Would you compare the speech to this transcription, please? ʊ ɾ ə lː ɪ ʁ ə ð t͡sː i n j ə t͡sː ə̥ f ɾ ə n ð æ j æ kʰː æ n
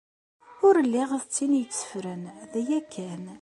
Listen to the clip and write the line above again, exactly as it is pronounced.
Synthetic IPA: ʊ ɾ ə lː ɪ ʁ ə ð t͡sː i n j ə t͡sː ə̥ f ɾ ə n ð æ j æ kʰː æ n